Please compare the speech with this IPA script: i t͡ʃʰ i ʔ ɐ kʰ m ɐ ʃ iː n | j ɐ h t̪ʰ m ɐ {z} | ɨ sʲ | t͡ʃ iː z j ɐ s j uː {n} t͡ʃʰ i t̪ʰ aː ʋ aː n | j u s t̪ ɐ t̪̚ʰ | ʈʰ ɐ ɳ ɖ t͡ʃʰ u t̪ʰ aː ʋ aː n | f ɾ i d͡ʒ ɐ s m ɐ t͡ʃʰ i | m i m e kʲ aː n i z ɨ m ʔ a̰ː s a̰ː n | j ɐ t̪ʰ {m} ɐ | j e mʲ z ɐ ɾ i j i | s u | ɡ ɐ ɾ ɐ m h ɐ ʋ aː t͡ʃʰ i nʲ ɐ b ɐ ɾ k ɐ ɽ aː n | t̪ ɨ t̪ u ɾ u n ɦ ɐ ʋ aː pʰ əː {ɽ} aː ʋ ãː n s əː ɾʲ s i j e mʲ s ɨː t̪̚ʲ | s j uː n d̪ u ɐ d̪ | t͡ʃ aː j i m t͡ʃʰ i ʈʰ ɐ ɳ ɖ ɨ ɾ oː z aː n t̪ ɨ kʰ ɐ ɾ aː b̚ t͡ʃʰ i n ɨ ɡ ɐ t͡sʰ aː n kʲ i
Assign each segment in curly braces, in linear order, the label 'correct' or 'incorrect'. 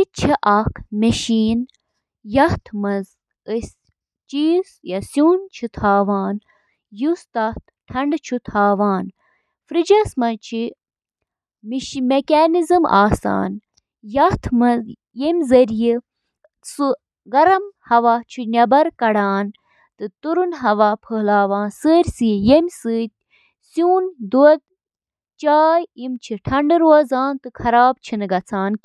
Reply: correct, correct, correct, incorrect: l

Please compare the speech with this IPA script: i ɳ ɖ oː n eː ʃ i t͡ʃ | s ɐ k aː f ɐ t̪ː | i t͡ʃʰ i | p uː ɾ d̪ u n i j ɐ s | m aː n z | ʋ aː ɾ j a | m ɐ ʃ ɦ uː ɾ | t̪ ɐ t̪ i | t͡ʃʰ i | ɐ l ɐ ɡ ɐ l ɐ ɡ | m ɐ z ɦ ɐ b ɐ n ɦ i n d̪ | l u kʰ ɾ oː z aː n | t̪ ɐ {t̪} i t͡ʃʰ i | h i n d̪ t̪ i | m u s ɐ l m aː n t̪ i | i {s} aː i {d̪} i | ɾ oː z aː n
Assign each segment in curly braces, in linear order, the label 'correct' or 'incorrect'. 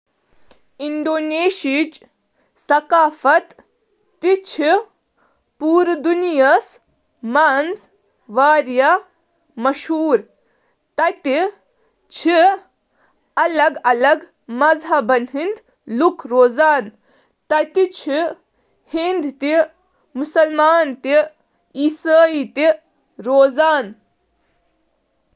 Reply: correct, correct, incorrect: t̪

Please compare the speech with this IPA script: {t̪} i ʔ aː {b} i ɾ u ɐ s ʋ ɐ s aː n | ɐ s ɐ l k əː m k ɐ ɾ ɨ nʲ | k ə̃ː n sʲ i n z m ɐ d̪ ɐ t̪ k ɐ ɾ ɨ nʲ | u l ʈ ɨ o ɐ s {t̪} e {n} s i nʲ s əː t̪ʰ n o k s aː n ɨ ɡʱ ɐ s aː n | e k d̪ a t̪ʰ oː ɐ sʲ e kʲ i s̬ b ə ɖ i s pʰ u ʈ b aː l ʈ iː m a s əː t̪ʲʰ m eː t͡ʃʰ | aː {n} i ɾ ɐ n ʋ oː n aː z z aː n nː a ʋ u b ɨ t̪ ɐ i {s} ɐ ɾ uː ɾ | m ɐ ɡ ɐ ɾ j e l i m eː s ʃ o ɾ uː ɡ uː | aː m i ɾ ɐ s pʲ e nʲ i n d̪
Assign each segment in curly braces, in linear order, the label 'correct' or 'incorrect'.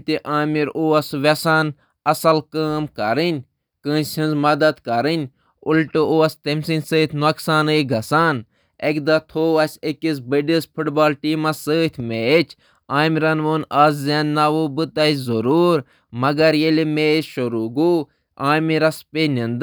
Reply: correct, incorrect: m, correct, incorrect: m, incorrect: m, incorrect: z

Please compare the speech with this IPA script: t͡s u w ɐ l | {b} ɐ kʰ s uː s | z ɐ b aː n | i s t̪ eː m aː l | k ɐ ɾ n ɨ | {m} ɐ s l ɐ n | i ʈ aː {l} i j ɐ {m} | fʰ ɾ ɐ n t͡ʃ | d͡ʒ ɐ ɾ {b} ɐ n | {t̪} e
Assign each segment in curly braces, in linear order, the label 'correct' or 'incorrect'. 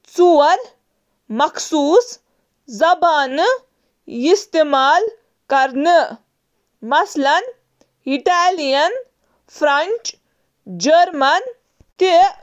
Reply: incorrect: m, correct, correct, incorrect: n, incorrect: m, correct

